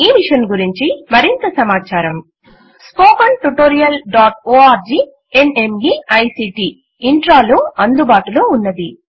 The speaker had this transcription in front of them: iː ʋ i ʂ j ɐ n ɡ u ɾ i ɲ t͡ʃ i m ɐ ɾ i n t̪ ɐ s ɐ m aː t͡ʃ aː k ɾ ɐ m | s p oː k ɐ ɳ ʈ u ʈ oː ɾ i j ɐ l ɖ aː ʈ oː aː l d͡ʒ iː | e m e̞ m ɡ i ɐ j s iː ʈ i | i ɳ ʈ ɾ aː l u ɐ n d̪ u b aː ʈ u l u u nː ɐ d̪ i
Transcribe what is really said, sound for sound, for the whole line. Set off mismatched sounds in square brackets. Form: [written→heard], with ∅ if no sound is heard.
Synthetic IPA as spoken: iː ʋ i ʂ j ɐ n ɡ u ɾ i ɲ t͡ʃ i m ɐ ɾ i n t̪ ɐ s ɐ m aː t͡ʃ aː [k→∅] ɾ ɐ m | s p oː k ɐ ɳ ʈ u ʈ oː ɾ i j ɐ l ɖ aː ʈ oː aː [l→ɾ] d͡ʒ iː | e [m→n] e̞ m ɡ i ɐ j s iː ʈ i | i ɳ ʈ ɾ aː l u ɐ n d̪ u b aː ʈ u l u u nː ɐ d̪ i